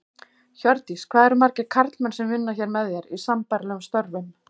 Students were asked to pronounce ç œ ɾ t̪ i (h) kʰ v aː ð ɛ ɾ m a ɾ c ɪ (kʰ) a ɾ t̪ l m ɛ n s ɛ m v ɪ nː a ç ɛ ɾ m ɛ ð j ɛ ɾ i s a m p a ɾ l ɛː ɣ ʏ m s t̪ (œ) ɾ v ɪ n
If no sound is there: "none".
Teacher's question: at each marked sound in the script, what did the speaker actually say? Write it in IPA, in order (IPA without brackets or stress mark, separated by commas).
s, kʰ, œ